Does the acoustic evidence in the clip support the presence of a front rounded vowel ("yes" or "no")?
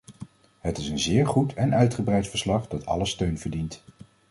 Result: yes